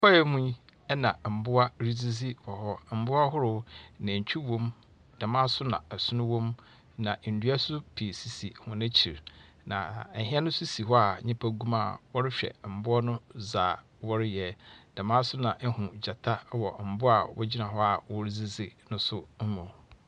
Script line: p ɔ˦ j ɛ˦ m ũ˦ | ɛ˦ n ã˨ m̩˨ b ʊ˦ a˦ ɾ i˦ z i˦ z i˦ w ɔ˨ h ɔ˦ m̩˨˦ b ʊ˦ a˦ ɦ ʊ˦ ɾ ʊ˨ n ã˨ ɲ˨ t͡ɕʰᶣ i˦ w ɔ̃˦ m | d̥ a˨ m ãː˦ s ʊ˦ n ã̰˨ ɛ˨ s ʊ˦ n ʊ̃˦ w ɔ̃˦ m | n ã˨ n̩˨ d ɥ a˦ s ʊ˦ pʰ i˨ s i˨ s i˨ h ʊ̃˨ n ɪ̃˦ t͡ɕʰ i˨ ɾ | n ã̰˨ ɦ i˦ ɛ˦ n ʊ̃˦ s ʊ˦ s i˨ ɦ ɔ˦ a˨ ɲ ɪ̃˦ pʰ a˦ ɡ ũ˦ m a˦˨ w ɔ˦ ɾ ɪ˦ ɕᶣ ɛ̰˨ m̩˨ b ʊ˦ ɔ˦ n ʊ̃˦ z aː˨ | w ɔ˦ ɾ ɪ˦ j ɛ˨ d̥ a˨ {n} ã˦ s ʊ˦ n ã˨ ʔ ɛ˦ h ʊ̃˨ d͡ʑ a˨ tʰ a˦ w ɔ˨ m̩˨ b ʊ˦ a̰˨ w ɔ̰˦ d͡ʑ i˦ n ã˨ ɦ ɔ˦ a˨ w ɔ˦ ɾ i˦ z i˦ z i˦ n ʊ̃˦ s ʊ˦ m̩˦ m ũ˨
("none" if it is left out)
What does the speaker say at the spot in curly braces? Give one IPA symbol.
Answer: m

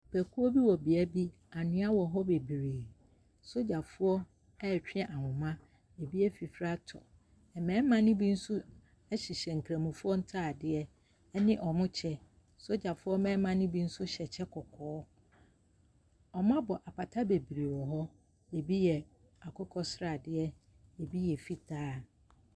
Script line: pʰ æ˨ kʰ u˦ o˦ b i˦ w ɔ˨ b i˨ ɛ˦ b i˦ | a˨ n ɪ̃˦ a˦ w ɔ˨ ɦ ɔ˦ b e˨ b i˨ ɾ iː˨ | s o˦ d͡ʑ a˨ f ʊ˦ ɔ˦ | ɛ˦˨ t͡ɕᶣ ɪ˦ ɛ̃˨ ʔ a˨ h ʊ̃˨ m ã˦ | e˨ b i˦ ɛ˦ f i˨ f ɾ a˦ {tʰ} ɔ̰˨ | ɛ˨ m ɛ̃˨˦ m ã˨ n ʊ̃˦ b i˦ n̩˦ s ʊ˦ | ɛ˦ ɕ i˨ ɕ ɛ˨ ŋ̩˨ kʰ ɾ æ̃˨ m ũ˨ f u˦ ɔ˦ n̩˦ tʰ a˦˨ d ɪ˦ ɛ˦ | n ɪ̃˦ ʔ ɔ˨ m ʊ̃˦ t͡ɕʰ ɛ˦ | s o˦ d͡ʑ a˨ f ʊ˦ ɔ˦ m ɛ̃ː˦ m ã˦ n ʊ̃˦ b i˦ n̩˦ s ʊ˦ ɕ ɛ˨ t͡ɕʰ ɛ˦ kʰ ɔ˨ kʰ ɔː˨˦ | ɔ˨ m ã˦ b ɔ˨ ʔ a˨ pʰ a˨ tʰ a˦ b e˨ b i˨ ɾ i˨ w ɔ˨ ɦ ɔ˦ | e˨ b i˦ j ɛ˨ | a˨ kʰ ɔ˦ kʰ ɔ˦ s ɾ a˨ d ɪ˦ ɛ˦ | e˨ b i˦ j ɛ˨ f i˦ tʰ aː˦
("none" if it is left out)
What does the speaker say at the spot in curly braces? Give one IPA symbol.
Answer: tʰ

